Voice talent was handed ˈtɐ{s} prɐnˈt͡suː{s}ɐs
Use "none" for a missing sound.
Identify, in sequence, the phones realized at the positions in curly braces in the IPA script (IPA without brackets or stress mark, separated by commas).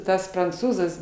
s, z